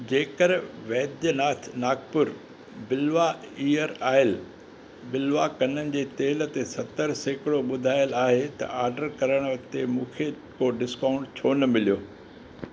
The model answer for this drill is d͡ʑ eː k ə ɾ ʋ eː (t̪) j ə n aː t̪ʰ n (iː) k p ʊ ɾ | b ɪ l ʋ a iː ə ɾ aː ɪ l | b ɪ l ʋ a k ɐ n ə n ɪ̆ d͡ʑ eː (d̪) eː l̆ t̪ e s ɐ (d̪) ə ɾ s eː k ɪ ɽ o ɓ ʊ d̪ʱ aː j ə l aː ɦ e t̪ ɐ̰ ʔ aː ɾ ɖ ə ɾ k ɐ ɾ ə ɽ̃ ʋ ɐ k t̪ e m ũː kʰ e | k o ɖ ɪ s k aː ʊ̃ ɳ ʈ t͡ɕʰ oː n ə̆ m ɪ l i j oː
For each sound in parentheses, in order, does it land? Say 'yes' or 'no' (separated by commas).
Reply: no, no, no, no